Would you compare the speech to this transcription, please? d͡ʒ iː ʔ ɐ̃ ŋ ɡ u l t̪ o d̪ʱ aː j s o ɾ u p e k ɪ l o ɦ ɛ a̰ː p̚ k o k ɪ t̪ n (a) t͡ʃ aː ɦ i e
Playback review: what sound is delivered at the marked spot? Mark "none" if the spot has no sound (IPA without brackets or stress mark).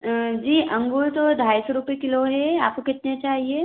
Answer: e